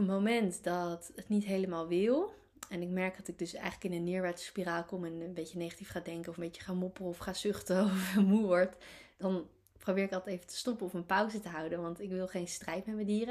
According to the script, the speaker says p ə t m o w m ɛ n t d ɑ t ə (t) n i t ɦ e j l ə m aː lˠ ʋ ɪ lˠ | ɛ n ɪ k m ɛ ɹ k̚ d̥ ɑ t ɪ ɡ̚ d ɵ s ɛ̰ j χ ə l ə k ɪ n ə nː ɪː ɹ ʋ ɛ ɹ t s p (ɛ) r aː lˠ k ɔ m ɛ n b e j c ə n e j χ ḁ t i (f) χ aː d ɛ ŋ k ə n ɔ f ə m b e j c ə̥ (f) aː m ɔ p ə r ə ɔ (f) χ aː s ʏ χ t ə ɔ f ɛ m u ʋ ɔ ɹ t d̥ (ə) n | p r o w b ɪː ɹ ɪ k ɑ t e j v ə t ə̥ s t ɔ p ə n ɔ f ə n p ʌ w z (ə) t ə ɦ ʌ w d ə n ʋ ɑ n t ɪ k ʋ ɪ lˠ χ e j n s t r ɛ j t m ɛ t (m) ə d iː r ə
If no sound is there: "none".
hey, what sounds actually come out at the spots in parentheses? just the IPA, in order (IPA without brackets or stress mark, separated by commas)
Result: t, i, f, χ, f, ɑ, ə, m